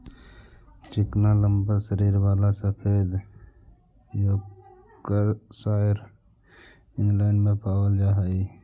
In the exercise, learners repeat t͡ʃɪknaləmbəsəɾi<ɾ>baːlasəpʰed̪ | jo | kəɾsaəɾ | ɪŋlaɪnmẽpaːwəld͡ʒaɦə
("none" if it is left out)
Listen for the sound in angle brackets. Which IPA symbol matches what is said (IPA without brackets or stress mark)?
ɾ